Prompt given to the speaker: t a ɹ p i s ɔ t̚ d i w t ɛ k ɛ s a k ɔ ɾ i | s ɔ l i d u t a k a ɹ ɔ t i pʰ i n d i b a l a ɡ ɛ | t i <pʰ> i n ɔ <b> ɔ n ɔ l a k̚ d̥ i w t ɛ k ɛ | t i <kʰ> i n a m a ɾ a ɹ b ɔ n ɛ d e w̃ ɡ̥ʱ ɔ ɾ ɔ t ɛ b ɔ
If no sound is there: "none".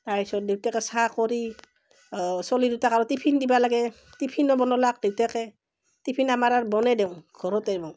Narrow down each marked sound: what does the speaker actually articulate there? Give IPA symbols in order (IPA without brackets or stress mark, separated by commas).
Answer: pʰ, b, pʰ